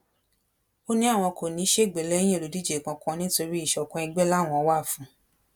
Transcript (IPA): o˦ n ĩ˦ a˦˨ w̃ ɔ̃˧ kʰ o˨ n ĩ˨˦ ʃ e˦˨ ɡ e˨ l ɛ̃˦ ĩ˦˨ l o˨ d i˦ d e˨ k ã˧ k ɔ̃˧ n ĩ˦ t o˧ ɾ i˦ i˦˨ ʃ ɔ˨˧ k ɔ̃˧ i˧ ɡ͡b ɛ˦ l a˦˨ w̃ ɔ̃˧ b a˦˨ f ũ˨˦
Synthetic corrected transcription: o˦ n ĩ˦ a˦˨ w̃ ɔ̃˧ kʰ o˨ n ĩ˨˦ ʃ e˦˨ ɡ͡b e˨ l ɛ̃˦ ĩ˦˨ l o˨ d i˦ d͡ʒ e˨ k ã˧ k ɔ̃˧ n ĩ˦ t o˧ ɾ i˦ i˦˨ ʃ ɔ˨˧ k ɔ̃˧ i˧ ɡ͡b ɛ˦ l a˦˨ w̃ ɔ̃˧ w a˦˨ f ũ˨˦

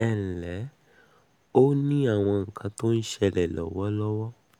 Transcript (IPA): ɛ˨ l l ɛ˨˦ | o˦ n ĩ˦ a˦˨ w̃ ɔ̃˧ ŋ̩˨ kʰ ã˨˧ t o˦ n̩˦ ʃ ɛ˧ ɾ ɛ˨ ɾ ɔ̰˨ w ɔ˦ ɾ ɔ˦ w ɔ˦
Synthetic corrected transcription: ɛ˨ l l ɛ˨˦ | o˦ n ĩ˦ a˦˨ w̃ ɔ̃˧ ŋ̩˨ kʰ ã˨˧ t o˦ n̩˦ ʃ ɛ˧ l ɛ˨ l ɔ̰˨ w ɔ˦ l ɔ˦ w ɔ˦

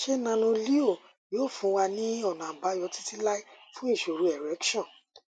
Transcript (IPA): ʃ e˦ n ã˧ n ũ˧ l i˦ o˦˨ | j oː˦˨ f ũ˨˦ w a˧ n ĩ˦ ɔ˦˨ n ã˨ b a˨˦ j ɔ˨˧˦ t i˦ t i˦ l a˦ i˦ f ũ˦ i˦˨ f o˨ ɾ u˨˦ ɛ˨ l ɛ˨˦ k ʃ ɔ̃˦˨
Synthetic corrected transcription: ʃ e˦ n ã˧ n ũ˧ l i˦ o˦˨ | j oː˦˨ f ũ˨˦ w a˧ n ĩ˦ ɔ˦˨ n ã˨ b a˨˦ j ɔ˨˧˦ t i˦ t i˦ l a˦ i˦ f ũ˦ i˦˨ ʃ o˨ ɾ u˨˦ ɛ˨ ɾ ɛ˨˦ k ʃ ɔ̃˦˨

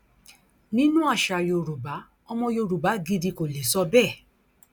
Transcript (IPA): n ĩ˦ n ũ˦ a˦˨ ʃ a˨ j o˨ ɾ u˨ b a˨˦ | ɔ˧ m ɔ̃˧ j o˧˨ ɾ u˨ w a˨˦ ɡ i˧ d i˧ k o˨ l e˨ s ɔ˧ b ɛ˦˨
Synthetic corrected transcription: n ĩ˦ n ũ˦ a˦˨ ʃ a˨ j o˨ ɾ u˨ b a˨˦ | ɔ˧ m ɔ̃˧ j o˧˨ ɾ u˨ b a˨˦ ɡ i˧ d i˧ k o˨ l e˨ s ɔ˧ b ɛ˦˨

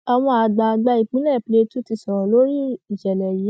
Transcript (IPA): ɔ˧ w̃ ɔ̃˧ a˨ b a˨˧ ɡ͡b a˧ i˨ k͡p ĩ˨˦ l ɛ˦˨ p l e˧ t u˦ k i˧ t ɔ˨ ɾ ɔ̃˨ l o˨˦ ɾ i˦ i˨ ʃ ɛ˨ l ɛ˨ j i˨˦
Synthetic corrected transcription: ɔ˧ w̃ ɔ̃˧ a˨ ɡ͡b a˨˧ ɡ͡b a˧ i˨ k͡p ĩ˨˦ l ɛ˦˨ p l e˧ t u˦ t i˧ s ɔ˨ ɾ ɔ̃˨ l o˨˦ ɾ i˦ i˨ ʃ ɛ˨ l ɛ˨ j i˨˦

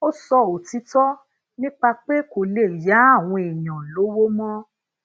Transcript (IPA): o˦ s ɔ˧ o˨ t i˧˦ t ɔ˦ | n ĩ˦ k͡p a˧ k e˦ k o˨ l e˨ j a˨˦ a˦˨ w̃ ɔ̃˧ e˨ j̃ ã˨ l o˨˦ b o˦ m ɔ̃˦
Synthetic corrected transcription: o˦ s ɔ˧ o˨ t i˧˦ t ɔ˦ | n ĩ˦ k͡p a˧ k͡p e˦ k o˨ l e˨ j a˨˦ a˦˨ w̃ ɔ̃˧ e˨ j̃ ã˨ l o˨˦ w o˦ m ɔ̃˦

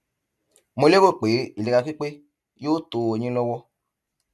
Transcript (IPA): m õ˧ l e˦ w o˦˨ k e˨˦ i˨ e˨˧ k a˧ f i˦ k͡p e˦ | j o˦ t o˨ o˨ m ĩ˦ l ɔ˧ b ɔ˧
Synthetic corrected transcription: m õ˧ l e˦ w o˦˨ k͡p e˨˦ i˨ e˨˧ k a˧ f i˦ k͡p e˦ | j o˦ t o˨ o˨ ɲ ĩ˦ l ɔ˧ w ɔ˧

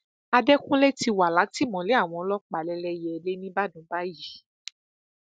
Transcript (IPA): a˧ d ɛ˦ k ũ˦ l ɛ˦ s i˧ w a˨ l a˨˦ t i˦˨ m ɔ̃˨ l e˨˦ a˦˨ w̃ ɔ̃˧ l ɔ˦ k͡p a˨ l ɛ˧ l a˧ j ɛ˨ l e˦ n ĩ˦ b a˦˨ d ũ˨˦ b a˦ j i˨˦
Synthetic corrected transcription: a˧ d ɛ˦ k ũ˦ l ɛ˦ t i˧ w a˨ l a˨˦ t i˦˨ m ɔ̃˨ l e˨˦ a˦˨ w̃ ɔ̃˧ l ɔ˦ k͡p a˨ l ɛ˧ l ɛ˧ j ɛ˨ l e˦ n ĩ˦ b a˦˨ d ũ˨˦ b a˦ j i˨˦

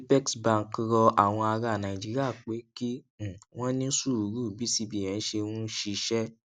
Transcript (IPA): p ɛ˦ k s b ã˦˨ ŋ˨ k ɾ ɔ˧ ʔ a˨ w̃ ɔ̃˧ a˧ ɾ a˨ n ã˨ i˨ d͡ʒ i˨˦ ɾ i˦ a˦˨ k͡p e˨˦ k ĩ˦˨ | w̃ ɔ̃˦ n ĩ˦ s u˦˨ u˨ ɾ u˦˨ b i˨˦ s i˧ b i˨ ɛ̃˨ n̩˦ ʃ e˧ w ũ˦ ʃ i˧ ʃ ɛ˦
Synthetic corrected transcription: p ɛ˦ k s b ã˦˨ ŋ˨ k ɾ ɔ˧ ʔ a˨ w̃ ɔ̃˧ a˧ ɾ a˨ n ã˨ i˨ d͡ʒ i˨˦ ɾ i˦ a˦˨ k͡p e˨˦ k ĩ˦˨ | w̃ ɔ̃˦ n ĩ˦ s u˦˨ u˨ ɾ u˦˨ b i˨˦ s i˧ b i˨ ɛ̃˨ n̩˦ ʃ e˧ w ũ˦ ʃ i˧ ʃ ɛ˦

